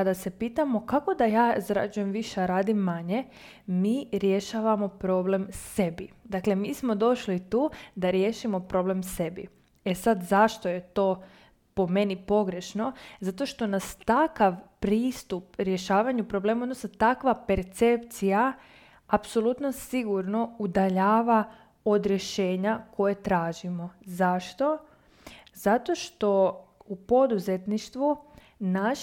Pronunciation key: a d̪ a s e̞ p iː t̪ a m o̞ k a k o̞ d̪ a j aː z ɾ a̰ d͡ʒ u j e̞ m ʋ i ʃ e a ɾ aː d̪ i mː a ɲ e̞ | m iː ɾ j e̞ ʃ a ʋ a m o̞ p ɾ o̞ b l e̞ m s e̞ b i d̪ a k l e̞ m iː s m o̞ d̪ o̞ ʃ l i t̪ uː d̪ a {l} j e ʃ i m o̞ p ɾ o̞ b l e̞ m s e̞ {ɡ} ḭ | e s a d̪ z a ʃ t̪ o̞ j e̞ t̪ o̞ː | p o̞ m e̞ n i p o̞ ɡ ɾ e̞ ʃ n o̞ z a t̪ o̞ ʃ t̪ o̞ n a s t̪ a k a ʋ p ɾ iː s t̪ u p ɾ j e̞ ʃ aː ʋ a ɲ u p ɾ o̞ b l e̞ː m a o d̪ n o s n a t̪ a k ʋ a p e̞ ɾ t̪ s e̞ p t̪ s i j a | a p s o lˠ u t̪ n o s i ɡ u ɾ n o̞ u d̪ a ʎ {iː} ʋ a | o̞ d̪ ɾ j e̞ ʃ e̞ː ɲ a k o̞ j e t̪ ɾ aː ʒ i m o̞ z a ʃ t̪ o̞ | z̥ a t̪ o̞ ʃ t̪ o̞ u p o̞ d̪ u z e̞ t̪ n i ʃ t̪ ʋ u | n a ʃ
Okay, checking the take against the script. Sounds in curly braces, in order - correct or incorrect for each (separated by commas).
incorrect, incorrect, incorrect